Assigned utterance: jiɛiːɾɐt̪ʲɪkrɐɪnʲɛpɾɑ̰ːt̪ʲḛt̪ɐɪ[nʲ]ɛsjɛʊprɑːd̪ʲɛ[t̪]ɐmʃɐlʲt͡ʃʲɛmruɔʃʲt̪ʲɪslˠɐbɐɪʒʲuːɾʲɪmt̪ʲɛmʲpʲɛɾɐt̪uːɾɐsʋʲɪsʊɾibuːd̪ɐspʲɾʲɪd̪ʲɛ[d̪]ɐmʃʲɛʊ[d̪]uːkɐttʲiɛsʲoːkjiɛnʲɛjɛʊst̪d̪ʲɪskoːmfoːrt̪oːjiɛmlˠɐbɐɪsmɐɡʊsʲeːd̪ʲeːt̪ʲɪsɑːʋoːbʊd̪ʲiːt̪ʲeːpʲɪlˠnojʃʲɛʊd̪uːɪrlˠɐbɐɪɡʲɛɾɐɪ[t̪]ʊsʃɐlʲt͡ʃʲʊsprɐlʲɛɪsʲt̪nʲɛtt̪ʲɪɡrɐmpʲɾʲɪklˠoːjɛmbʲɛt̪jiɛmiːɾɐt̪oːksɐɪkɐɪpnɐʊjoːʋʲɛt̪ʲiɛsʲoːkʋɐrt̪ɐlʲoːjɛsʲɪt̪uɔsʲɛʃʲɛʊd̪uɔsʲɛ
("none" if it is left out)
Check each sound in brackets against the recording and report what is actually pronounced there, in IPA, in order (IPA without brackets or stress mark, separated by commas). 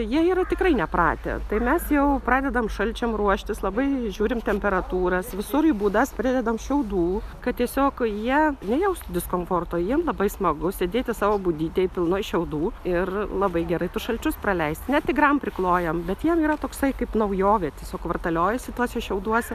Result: mʲ, d̪, d̪, d̪, t̪